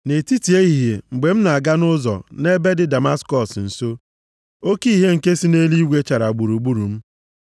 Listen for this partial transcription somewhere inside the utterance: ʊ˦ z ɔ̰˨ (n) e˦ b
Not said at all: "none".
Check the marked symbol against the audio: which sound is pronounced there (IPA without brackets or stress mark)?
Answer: n